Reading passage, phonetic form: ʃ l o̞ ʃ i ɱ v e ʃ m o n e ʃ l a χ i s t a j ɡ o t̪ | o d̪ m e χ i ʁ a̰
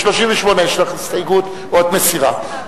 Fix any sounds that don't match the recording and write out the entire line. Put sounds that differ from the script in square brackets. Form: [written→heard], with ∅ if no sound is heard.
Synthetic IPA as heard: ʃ l o̞ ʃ i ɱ v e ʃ m o n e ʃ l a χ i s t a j ɡ [o→u] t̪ | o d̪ m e [χ→s] i ʁ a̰